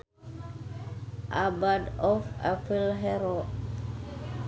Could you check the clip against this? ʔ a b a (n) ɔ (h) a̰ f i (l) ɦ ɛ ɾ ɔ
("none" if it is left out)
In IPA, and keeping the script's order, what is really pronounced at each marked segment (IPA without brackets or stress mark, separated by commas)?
d, f, l